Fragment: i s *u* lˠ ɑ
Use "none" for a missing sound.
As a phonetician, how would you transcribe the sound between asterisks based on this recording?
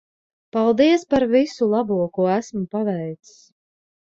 u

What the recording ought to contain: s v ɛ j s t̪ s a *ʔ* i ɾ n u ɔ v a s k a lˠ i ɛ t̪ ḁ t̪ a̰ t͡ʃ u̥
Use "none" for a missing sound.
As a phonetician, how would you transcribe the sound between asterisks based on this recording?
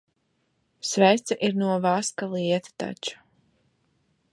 ʔ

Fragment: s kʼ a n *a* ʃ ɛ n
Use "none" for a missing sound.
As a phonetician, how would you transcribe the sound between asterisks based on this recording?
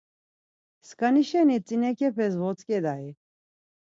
i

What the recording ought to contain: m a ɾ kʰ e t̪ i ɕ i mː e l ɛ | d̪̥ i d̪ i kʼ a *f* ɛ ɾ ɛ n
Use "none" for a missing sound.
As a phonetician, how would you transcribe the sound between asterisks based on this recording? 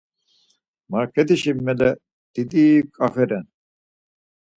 f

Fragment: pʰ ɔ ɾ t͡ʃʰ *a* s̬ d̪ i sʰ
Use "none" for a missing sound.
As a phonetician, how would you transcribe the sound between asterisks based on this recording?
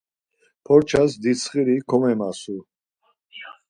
a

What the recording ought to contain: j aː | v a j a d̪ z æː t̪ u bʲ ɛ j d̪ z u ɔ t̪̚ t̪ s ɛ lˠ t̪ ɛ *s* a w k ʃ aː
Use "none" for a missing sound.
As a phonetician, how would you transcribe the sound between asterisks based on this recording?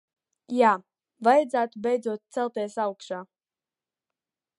s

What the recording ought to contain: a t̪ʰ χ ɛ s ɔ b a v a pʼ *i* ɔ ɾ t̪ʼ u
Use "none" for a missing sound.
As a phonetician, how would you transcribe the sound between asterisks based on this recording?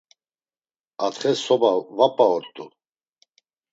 a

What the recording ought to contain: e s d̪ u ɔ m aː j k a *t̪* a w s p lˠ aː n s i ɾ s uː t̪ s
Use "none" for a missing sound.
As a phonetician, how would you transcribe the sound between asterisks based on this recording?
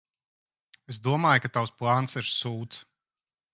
t̪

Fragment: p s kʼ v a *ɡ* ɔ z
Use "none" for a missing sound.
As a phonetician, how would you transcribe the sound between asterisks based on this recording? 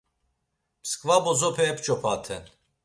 b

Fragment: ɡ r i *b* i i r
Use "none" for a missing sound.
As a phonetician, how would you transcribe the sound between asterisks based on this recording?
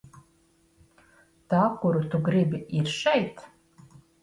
b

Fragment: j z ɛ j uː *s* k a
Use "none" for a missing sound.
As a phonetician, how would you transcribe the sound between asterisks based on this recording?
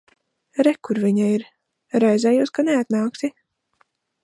s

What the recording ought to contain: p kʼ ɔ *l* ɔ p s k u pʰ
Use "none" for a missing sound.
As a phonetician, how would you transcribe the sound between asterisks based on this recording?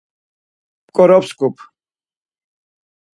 ɾ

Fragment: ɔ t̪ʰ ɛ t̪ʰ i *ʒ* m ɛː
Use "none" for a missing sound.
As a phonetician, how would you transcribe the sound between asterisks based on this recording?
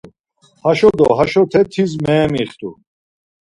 z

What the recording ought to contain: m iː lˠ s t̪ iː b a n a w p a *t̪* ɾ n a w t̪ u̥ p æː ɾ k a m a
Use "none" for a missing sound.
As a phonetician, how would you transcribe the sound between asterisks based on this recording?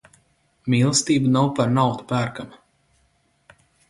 none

